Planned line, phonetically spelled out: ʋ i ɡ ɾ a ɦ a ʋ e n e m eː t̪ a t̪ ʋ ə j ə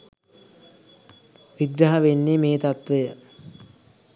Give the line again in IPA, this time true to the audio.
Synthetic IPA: ʋ i ɡ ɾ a ɦ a ʋ e nː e m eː t̪ a t̪ ʋ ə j ə

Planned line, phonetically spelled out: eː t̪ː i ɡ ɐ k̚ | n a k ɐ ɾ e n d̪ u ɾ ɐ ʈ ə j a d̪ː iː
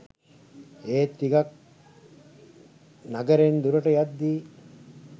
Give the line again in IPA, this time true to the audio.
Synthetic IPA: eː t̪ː i ɡ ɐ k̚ | n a ɡ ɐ ɾ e n d̪ u ɾ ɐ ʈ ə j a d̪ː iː

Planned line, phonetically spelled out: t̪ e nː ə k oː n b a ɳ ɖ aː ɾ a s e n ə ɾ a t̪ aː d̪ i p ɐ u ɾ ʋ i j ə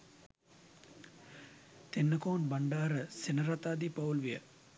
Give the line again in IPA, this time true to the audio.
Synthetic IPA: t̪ e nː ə k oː n b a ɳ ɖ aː ɾ ə s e n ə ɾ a t̪ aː d̪ i p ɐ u l ʋ i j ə

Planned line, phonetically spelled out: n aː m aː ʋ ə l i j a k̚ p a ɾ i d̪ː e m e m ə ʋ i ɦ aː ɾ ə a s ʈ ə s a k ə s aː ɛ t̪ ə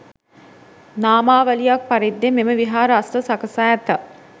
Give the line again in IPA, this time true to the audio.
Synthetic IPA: n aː m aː ʋ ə l i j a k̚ p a ɾ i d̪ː e m e m ə ʋ i ɦ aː ɾ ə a s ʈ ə s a k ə s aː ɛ t̪ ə

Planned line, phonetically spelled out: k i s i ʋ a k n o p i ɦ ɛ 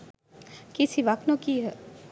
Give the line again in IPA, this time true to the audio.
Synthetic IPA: k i s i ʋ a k n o k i ɦ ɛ

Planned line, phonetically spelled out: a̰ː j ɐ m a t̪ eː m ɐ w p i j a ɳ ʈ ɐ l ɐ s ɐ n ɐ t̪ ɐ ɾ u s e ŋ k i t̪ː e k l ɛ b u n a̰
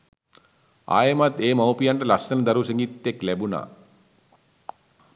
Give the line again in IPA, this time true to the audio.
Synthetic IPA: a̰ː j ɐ m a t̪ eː m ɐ w p i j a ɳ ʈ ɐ l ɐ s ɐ n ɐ d̪ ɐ ɾ u s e ŋ ɡ i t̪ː e k l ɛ b u n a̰

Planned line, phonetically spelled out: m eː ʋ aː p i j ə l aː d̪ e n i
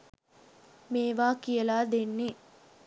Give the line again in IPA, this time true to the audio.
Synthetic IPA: m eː ʋ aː k i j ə l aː d̪ e nː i

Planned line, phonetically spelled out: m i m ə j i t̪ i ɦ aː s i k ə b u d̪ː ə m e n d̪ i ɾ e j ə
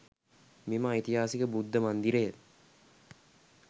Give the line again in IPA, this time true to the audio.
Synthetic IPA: m i m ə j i t̪ i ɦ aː s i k ə b u d̪ː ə m a n d̪ i ɾ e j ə

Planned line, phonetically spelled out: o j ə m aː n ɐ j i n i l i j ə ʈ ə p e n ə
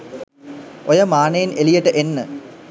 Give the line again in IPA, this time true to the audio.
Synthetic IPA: o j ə m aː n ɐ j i n e l i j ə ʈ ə ʔ e nː ə

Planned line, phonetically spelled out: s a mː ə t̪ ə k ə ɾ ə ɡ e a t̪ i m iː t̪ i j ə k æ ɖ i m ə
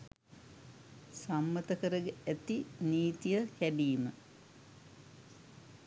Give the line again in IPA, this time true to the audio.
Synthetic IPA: s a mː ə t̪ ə k ə ɾ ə ɡ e æ t̪ i n iː t̪ i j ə k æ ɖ iː m ə

